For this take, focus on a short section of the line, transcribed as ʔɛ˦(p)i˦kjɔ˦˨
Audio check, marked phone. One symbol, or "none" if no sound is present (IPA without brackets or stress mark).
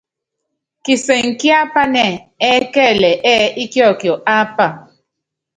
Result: none